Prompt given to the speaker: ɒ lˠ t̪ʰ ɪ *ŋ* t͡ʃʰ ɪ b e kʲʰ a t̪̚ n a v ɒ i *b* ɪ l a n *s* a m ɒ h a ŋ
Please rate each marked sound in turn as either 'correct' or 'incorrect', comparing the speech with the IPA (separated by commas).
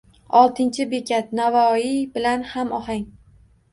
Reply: incorrect, correct, incorrect